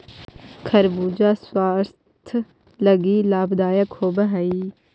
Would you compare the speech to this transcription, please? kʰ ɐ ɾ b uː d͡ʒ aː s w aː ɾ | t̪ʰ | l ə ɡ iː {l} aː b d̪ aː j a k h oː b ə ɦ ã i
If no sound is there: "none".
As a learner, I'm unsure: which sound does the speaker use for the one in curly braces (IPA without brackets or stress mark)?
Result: l